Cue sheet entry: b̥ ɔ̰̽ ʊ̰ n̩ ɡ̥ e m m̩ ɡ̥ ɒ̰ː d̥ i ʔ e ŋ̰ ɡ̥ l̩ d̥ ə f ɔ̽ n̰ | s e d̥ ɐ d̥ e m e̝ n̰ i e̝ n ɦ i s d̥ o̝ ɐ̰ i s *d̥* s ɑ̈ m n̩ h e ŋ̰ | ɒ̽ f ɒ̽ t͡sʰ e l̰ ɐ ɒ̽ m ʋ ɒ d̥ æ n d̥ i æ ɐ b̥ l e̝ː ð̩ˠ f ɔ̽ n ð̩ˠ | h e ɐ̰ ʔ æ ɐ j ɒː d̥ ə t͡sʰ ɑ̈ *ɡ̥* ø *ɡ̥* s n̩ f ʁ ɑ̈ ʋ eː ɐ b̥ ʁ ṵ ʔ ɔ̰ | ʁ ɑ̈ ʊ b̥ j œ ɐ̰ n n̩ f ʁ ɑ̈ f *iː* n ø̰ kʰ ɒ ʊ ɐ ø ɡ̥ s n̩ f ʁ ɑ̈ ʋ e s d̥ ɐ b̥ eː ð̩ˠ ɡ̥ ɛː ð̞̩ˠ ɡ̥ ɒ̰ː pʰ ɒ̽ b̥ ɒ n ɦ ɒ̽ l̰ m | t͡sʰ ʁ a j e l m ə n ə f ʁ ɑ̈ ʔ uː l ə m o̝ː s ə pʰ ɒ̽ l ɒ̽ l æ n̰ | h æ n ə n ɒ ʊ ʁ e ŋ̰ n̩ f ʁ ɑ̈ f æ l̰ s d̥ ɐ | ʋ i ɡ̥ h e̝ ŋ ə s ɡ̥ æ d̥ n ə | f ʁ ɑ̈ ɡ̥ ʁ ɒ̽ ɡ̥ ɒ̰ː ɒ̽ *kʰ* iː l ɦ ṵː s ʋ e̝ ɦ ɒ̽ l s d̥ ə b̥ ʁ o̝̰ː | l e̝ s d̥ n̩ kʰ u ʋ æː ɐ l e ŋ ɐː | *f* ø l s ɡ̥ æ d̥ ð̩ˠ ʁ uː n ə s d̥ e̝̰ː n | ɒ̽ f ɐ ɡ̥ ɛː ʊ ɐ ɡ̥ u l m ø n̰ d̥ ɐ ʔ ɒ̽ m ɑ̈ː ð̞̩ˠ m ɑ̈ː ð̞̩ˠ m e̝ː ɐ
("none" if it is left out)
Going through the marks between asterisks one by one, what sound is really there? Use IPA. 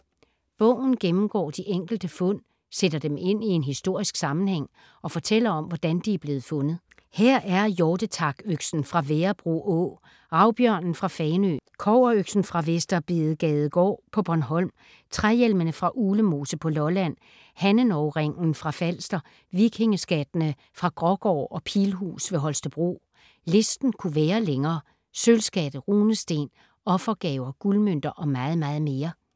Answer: ɡ̥, ɡ̥, ɡ̥, ɛː, pʰ, s

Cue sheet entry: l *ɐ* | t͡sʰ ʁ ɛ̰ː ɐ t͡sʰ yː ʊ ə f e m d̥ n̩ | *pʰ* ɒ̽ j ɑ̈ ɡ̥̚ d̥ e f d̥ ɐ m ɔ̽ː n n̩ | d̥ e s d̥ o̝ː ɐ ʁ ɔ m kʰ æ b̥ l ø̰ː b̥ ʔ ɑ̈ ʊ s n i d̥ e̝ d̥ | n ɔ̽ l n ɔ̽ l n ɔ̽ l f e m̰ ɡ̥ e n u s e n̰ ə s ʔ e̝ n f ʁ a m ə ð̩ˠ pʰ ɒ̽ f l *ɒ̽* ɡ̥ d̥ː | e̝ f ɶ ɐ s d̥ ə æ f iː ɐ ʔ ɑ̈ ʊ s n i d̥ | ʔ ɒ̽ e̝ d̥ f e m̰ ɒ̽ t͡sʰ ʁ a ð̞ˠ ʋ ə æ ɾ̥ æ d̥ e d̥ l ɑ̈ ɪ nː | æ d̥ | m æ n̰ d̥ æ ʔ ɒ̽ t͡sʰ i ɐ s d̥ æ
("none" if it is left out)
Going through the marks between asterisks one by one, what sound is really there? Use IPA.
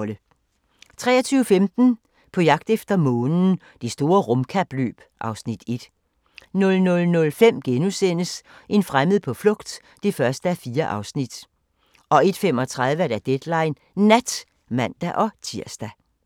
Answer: ə, pʰ, ɔ̽

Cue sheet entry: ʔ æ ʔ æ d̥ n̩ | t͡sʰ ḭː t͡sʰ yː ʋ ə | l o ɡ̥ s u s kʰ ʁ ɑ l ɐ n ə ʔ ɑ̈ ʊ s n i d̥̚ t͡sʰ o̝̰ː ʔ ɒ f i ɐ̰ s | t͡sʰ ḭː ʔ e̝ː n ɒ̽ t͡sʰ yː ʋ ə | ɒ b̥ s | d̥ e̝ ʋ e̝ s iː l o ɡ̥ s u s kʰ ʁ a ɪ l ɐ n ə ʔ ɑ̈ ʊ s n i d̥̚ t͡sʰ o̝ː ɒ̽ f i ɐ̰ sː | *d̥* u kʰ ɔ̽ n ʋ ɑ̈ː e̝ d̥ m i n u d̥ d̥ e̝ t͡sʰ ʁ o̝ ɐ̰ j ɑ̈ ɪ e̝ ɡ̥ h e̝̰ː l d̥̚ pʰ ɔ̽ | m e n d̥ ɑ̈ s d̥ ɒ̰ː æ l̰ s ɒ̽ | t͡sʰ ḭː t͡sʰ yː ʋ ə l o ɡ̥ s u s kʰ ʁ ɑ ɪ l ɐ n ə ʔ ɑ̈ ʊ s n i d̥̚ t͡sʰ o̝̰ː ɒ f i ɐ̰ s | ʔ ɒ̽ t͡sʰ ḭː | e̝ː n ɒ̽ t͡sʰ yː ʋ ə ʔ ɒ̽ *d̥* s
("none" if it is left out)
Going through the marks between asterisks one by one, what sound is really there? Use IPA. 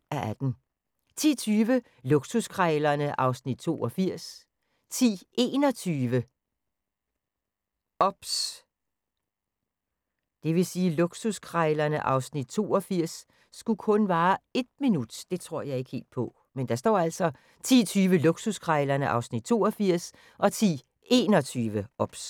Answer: ɡ̥, b̥

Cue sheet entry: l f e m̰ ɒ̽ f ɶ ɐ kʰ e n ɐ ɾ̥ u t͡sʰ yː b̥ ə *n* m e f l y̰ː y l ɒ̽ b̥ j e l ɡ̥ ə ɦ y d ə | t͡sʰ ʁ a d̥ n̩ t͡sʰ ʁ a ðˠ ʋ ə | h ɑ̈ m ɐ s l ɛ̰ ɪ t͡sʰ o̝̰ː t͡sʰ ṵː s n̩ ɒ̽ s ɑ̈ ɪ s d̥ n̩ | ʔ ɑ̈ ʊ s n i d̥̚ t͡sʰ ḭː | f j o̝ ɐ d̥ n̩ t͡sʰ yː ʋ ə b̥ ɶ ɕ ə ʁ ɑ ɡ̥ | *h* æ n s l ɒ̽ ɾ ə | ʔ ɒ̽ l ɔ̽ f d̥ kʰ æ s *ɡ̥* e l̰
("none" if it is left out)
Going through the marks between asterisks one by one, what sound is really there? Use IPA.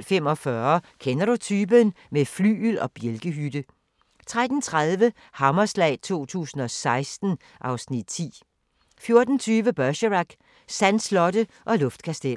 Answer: n, s, d̥

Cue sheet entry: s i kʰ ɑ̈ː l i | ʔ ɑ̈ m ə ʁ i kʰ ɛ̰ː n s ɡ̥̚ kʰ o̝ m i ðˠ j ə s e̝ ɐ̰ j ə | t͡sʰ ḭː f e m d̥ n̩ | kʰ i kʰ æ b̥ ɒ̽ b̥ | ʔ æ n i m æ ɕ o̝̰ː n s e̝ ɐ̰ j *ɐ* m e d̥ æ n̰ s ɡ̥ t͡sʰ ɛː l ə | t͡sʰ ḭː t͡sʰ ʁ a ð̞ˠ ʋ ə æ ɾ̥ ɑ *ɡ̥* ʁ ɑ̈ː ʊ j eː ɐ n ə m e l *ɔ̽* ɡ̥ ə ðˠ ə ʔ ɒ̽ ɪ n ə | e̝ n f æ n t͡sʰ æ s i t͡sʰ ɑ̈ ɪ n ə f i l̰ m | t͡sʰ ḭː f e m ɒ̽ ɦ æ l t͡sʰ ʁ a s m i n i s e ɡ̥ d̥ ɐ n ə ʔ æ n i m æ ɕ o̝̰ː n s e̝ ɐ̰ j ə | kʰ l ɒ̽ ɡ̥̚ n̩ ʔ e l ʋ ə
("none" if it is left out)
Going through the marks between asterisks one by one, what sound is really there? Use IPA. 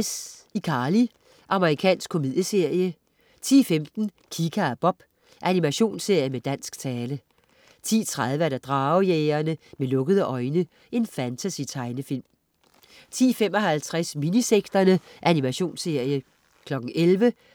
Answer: ə, d̥, ɔ̽

